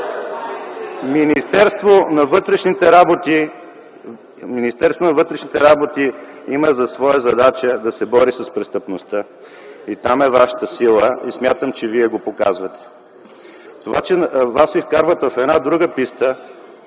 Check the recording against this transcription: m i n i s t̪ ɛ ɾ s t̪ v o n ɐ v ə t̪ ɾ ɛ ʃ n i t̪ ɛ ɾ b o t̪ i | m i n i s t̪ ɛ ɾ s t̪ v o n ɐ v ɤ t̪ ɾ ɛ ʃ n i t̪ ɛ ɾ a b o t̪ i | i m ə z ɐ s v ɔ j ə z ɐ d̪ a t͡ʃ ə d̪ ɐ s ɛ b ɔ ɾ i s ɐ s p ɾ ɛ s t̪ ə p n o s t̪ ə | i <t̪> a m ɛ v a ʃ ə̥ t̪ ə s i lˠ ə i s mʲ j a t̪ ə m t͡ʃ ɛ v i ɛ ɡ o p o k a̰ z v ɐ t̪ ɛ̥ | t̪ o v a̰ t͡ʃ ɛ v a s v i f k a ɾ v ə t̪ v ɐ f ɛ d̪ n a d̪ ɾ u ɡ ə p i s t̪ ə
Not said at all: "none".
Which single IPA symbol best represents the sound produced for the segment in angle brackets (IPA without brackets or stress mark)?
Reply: t̪